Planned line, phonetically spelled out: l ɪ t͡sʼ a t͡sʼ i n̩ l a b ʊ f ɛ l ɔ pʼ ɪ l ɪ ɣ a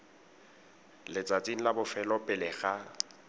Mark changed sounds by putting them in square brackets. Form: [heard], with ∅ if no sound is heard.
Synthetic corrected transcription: l ɪ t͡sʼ a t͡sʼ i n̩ l a b ʊ f ɛ l ɔ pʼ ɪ l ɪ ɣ a